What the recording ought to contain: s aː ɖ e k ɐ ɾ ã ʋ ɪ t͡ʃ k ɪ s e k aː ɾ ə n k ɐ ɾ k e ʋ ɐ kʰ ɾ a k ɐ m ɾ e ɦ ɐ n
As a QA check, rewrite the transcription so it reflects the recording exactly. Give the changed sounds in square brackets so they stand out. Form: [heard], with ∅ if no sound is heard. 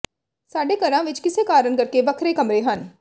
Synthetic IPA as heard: s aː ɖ e k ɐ ɾ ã ʋ ɪ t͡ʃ k ɪ s e k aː ɾ ə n k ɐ ɾ k e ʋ ɐ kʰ ɾ [e] k ɐ m ɾ e ɦ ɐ n